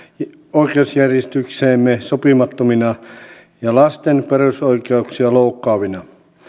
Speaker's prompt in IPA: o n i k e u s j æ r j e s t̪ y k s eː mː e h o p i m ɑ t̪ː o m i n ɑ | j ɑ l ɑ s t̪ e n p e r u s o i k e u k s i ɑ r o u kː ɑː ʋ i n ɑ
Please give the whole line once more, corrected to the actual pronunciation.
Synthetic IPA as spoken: o i k e u s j æ r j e s t̪ y k s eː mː e s o p i m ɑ t̪ː o m i n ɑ | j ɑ l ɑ s t̪ e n p e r u s o i k e u k s i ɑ l o u kː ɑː ʋ i n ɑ